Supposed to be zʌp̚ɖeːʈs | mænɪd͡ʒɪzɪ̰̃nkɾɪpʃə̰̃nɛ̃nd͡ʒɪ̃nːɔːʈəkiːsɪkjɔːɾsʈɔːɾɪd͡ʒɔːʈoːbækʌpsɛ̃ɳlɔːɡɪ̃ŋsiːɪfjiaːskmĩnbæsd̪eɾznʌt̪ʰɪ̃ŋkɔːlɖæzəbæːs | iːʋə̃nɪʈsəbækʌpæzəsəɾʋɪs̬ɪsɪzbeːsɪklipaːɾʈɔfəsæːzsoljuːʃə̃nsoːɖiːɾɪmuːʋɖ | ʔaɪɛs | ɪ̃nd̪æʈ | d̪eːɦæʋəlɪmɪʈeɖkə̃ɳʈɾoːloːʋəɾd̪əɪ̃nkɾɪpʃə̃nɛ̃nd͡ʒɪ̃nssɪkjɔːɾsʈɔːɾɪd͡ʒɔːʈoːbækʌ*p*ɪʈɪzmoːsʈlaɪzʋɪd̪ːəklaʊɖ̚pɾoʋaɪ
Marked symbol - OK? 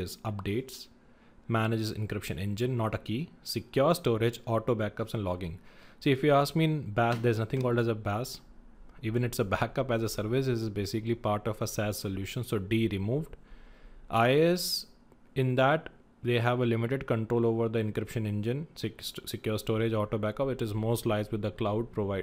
yes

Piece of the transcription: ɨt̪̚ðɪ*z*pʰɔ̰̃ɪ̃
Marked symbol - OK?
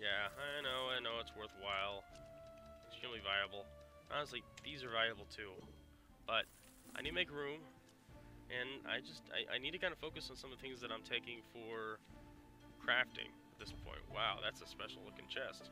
no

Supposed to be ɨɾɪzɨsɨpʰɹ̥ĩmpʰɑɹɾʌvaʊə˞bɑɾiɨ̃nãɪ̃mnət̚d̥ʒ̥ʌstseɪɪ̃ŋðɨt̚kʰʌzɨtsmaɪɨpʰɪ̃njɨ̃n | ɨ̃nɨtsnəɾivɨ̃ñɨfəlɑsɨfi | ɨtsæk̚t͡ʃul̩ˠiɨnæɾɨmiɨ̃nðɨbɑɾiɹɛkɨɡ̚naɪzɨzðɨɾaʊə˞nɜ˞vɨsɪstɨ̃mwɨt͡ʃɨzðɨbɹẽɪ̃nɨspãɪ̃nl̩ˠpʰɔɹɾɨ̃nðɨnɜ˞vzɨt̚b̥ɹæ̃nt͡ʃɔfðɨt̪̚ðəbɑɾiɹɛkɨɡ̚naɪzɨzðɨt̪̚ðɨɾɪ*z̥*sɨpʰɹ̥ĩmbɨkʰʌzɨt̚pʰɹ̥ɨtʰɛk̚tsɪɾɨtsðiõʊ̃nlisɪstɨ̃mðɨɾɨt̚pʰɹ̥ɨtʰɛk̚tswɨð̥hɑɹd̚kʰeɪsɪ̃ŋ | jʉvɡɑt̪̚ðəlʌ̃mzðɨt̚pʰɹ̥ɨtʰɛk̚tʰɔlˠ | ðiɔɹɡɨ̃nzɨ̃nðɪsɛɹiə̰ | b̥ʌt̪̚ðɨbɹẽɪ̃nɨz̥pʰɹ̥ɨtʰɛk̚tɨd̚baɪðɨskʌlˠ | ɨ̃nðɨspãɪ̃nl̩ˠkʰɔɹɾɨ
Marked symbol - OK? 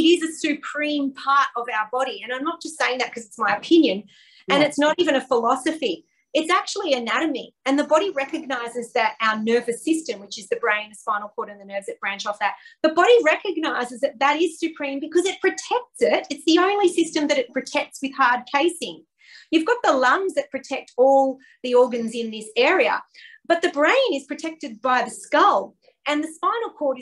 yes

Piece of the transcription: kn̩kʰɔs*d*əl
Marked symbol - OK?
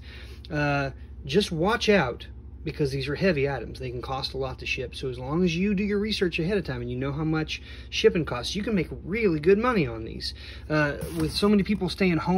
no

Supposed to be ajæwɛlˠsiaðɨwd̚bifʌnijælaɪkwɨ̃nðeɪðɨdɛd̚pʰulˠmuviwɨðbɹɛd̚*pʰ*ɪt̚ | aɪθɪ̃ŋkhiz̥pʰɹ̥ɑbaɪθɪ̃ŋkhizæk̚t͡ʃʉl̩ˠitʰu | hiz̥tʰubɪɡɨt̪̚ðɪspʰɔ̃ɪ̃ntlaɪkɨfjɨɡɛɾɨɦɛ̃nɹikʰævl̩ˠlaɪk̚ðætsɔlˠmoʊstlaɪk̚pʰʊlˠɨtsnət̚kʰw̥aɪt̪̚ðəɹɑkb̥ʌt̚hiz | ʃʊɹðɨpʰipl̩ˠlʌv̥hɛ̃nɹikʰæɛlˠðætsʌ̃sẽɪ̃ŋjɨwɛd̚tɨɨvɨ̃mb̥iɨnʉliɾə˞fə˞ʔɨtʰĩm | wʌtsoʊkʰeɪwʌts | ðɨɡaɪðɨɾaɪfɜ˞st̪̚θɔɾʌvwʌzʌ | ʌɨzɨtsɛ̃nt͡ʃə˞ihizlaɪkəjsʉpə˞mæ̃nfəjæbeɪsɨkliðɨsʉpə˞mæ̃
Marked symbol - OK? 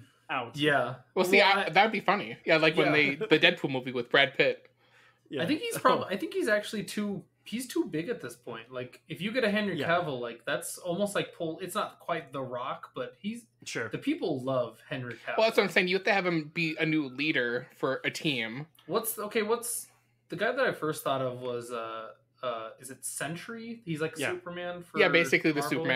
yes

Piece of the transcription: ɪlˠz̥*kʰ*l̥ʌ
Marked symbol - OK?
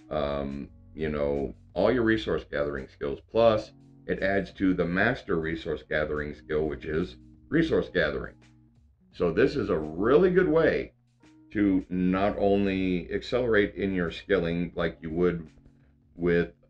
no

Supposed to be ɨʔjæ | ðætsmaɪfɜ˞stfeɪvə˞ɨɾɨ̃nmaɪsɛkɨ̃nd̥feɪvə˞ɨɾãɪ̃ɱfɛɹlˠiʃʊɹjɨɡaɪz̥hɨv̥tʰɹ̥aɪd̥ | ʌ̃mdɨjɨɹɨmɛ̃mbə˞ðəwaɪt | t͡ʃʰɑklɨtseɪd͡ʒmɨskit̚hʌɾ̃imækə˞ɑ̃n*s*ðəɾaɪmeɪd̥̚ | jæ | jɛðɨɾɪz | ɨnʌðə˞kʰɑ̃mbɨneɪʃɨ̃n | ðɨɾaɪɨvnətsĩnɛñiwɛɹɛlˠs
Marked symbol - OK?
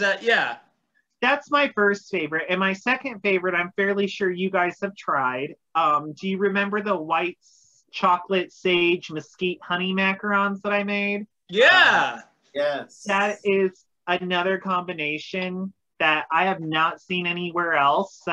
no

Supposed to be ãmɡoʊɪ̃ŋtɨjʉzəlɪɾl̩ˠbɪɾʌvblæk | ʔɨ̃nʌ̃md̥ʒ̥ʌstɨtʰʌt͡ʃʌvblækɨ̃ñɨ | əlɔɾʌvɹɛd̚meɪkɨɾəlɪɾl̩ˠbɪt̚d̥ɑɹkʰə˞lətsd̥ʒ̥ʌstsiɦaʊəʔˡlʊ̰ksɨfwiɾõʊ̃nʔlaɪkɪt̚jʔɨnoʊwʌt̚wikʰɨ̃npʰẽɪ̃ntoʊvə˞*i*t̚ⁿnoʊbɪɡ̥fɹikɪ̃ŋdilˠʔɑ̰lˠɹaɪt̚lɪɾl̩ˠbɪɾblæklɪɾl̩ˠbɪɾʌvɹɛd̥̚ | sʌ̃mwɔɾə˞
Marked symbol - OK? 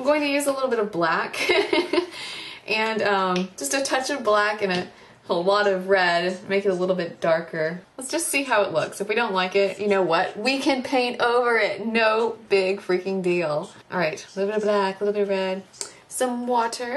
no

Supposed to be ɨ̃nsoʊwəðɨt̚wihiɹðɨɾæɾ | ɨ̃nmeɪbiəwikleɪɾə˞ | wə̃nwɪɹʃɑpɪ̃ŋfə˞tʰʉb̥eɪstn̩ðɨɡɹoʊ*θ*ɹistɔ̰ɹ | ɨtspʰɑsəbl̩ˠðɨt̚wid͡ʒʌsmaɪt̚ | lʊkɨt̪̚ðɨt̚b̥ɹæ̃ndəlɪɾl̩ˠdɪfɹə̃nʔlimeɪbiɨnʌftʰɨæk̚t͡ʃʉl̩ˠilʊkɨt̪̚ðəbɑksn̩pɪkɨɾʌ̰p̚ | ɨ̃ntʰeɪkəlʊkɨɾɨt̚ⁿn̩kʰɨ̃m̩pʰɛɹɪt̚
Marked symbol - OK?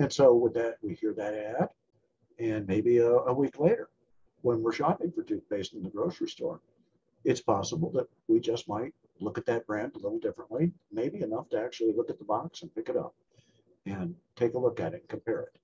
no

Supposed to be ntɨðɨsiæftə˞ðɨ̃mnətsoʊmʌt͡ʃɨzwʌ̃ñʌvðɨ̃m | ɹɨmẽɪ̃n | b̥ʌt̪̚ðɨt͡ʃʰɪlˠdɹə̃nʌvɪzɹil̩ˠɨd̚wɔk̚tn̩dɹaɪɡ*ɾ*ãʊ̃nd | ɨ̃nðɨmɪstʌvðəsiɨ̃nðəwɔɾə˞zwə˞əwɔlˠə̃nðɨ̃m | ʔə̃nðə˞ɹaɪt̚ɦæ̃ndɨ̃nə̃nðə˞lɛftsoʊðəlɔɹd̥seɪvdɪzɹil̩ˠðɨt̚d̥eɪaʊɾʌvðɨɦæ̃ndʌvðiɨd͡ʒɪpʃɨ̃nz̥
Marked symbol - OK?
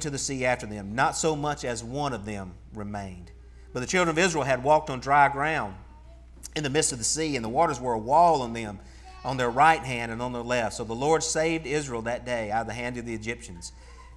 no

